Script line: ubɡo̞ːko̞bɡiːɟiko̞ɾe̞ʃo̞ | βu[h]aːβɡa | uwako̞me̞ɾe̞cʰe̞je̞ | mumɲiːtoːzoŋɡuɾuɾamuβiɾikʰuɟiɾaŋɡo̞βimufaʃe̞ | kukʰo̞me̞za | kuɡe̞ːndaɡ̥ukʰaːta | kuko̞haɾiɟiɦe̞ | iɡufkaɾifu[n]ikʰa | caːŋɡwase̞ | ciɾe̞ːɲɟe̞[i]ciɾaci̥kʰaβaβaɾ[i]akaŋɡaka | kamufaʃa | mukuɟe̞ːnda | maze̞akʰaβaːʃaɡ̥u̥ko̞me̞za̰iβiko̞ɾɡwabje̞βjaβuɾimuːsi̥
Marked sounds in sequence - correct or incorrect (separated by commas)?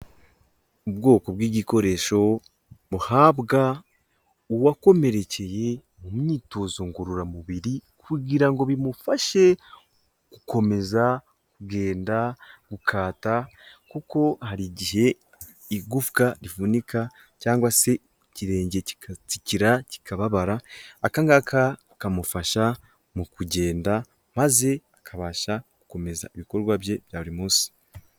correct, correct, correct, incorrect